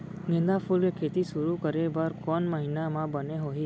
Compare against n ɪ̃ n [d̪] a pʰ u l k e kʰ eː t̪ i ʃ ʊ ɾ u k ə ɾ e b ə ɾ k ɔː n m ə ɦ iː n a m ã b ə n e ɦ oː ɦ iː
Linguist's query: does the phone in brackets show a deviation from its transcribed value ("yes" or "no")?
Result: no